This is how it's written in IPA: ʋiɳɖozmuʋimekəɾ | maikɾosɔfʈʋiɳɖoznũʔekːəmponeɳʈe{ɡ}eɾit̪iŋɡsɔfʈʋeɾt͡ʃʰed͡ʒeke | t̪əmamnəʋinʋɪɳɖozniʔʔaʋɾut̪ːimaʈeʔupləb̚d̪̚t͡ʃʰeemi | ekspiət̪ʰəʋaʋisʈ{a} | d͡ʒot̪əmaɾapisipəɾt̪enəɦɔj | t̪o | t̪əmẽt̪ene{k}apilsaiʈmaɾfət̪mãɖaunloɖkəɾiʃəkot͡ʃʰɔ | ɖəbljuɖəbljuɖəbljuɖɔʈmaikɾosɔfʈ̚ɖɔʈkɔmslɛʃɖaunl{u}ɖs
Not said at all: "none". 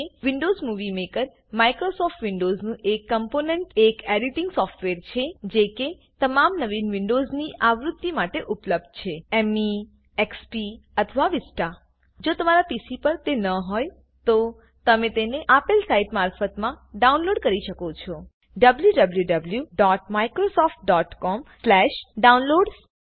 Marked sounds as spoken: k, a, ʔ, o

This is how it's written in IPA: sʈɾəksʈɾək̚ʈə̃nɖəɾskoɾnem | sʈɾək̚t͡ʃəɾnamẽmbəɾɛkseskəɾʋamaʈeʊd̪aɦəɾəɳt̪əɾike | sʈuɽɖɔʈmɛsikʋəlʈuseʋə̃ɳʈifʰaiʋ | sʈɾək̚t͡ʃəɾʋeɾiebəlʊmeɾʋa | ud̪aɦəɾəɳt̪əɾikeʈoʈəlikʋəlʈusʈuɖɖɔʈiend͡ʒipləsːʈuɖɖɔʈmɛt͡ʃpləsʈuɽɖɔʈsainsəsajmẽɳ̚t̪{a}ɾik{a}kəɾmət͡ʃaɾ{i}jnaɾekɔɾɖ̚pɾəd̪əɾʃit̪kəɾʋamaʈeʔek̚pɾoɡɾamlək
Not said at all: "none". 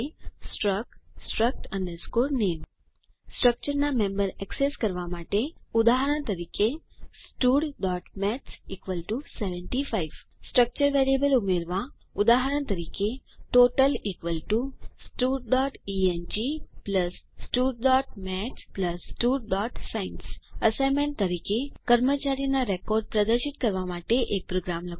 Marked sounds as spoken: ə, e, i

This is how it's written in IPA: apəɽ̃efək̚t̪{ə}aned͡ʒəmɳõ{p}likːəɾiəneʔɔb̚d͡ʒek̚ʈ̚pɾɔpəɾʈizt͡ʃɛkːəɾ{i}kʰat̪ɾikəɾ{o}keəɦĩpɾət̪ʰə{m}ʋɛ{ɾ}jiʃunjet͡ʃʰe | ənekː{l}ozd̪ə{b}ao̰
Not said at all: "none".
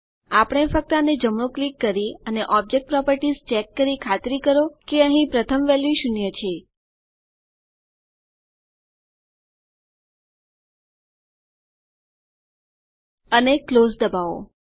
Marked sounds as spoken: ə, k, i, o, m, l, l, b

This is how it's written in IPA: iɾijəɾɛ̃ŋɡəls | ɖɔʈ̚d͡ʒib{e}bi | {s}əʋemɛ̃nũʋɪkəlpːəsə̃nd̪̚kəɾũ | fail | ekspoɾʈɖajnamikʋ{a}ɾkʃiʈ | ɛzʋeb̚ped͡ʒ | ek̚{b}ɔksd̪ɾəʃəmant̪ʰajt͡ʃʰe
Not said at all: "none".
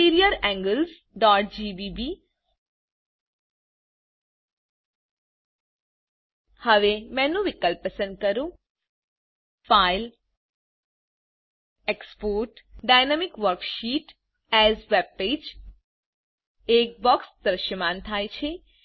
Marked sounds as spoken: i, h, ə, b

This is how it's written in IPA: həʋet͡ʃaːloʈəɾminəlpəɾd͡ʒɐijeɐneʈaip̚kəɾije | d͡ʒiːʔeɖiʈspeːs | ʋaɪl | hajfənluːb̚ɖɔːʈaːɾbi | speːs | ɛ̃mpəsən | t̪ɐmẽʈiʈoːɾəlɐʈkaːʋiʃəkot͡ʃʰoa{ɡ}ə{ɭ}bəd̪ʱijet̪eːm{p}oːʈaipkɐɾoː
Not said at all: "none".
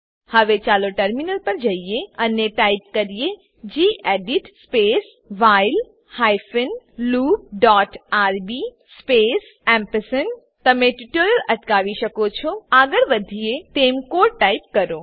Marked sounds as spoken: ɡ, ɾ, k

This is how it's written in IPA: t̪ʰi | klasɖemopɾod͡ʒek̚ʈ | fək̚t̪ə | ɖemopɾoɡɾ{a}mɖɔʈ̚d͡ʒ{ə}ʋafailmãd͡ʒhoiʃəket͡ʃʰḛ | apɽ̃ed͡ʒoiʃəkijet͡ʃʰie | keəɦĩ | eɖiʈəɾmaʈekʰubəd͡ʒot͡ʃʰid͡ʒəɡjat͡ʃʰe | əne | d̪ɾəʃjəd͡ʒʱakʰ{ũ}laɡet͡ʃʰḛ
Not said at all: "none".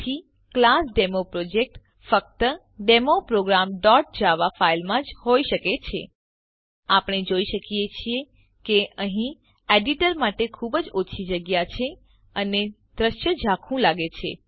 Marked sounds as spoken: a, a, ũ

